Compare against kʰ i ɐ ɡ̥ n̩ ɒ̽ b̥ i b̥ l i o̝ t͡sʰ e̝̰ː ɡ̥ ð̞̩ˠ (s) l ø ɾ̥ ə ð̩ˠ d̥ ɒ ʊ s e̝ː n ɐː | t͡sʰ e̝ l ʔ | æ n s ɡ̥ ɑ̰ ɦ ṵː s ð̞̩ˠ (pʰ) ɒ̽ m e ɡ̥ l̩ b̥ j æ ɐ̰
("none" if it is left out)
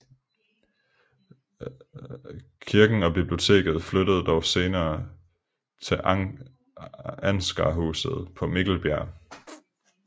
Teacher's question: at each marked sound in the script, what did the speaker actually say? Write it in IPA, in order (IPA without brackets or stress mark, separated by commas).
f, pʰ